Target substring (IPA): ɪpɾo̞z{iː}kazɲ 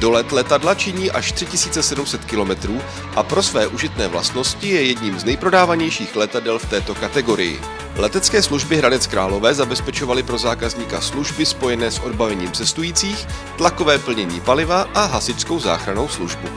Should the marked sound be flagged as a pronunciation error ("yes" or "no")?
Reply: yes